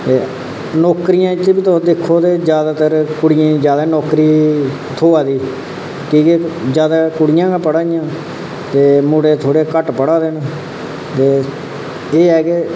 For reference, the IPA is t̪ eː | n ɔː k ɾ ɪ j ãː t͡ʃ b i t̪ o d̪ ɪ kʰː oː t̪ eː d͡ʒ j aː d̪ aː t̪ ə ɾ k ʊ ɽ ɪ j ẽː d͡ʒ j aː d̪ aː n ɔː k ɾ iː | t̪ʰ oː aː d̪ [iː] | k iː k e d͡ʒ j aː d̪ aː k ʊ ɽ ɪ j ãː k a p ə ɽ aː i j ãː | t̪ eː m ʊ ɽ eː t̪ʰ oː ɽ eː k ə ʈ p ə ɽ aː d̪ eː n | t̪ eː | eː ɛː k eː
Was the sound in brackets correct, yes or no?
yes